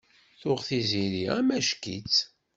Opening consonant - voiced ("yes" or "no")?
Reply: no